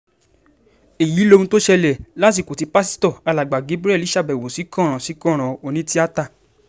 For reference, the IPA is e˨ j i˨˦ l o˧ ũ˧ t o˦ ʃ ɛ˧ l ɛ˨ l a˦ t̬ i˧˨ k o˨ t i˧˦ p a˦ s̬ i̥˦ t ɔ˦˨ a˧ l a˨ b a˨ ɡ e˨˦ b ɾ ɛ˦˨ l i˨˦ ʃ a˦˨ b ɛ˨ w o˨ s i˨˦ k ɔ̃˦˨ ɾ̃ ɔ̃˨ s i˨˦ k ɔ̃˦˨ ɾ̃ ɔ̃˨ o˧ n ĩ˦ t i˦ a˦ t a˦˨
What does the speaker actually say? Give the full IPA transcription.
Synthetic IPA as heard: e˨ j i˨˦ l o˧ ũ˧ t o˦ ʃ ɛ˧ l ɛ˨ l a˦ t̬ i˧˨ k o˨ t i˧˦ p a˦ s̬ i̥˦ t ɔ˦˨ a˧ l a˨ ɡ͡b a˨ ɡ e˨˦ b ɾ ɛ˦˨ l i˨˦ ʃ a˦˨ b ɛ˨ w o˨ s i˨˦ k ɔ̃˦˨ ɾ̃ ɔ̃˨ s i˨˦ k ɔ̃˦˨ ɾ̃ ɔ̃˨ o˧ n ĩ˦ t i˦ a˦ t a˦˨